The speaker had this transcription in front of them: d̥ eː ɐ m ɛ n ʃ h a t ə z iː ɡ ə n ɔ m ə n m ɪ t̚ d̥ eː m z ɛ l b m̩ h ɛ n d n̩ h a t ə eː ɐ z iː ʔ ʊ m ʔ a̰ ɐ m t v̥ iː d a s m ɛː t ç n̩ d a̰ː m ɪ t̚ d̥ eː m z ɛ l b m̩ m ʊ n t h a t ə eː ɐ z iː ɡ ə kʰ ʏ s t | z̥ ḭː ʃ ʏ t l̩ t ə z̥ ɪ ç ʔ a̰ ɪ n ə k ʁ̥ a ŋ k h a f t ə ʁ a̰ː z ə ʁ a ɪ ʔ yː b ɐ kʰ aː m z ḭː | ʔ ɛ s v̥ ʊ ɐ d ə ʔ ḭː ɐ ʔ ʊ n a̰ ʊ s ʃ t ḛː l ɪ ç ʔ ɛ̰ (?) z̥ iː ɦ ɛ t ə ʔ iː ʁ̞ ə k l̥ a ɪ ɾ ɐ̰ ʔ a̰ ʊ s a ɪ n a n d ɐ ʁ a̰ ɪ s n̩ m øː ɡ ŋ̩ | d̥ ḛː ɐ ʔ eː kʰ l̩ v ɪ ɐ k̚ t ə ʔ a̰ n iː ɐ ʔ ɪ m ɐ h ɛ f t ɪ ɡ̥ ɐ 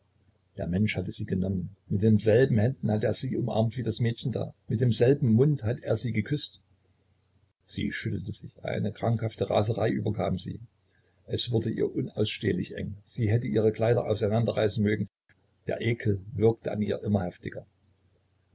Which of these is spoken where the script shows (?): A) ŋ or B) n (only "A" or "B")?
A